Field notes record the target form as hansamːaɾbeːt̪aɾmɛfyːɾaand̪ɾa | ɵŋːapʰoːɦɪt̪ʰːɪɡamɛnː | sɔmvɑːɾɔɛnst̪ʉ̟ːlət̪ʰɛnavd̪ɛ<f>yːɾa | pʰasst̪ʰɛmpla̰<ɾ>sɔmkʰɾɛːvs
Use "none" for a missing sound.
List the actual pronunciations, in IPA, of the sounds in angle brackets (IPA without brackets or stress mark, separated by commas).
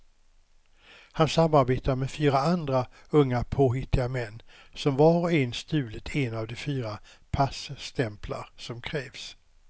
f, ɾ